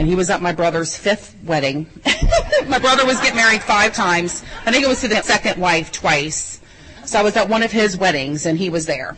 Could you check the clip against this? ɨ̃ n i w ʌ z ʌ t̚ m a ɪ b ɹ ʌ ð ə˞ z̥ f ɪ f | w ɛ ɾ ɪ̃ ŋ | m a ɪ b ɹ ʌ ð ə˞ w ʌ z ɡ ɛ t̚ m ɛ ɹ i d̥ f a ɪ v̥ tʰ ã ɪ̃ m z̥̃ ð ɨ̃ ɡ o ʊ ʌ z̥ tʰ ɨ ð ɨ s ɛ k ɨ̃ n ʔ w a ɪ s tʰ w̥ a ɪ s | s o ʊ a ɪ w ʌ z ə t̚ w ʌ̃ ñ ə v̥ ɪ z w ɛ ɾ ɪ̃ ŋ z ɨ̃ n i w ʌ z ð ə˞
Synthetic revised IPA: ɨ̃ n i w ʌ z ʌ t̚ m a ɪ b ɹ ʌ ð ə˞ z̥ f ɪ θ | w ɛ ɾ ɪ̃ ŋ | m a ɪ b ɹ ʌ ð ə˞ w ʌ z ɡ ɛ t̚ m ɛ ɹ i d̥ f a ɪ v̥ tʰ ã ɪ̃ m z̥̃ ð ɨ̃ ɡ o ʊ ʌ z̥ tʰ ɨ ð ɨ s ɛ k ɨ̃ n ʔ w a ɪ f tʰ w̥ a ɪ s | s o ʊ a ɪ w ʌ z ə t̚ w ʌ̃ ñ ʌ v̥ ɪ z w ɛ ɾ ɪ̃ ŋ z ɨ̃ n i w ʌ z ð ə˞